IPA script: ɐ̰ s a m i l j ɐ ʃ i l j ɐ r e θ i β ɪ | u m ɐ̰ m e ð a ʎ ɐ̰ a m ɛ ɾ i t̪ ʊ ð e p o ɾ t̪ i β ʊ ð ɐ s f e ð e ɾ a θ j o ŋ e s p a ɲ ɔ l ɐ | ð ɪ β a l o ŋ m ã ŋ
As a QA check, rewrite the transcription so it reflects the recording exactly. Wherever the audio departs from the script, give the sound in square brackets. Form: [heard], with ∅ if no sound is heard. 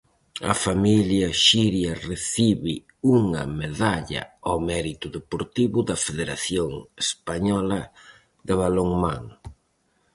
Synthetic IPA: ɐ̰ [f] a m i l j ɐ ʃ i [ɾ] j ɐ r e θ i β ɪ | u [ŋ] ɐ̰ m e ð a ʎ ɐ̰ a m ɛ ɾ i t̪ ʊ ð e p o ɾ t̪ i β ʊ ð ɐ [∅] f e ð e ɾ a θ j o ŋ e s p a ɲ ɔ l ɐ | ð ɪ β a l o ŋ m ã ŋ